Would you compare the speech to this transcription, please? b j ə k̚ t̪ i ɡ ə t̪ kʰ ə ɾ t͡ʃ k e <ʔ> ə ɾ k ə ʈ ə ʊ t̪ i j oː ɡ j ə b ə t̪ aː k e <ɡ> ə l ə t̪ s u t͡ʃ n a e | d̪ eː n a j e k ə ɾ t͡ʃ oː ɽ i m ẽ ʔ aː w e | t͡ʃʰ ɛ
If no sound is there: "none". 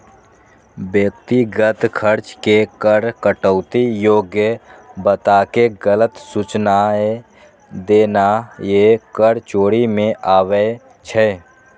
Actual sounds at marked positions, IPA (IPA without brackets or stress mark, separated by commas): k, ɡ